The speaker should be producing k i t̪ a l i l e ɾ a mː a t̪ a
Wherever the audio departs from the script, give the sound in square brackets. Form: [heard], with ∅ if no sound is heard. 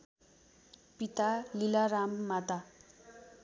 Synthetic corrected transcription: [p] i t̪ a l i l [a] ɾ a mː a t̪ a